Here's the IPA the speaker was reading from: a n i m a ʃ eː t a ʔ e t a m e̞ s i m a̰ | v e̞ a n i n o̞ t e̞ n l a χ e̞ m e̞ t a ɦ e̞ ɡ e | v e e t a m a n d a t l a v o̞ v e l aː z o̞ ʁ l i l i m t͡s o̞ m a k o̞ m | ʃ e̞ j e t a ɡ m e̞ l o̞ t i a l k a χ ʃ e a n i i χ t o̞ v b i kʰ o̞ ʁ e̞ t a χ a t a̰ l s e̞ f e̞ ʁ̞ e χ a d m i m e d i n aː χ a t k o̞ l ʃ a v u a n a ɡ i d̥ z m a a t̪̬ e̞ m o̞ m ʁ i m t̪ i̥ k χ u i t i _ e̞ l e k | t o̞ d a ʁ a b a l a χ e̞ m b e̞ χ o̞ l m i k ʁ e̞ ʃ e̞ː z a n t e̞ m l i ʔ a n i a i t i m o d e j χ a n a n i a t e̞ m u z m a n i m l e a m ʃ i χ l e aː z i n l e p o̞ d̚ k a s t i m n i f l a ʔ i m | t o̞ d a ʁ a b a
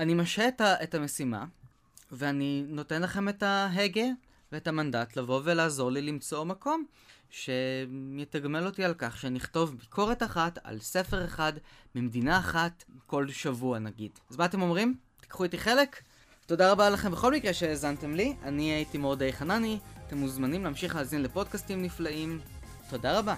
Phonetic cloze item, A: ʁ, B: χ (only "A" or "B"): B